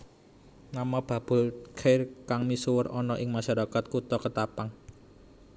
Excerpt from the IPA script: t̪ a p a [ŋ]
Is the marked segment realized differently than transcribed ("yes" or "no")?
no